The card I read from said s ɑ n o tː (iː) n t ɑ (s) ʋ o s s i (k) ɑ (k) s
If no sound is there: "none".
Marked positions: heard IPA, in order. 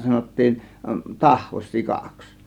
iː, h, k, k

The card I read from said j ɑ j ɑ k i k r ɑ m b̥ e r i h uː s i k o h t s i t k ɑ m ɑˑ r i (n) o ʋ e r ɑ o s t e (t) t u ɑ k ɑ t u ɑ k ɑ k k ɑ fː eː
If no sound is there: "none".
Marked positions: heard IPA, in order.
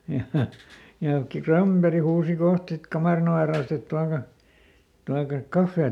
n, t

